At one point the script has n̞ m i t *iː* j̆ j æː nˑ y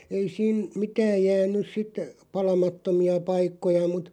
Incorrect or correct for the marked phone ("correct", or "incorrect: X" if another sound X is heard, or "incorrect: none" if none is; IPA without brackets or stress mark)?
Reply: incorrect: æː